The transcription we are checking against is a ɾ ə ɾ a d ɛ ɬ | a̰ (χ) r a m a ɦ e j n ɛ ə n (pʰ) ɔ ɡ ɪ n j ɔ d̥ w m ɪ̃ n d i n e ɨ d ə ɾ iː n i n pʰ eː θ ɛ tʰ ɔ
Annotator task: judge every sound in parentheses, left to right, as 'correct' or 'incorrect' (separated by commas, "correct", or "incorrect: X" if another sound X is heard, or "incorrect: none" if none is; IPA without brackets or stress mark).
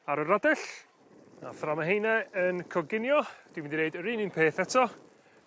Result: incorrect: θ, incorrect: kʰ